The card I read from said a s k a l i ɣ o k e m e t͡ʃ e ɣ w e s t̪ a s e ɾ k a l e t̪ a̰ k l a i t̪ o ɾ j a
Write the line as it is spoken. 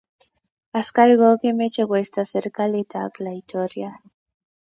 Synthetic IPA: a s k a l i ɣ o k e m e t͡ʃ e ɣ w e s t̪ a s e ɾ k a l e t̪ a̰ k l a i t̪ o ɾ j a